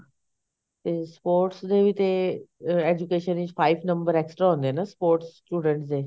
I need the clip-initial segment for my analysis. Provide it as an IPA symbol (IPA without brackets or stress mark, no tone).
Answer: t̪